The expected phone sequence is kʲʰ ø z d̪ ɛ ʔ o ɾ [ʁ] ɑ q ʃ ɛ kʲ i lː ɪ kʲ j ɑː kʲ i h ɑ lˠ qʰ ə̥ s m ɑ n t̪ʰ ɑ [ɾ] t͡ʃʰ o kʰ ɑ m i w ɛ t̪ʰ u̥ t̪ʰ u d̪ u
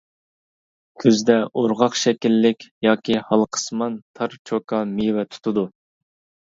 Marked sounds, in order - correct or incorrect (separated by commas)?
correct, correct